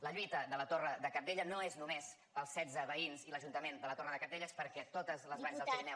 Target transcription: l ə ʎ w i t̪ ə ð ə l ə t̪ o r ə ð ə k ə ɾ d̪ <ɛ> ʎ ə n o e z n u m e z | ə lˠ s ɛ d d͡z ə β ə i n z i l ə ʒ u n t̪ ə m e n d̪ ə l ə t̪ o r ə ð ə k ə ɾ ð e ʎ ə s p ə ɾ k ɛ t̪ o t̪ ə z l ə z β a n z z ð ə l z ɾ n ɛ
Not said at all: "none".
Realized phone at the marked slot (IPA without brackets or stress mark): e